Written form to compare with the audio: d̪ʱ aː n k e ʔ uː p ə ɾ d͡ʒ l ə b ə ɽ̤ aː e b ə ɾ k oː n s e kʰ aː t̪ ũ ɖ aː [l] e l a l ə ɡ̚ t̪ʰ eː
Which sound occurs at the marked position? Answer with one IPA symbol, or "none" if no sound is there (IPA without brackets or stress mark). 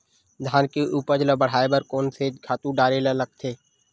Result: ɾ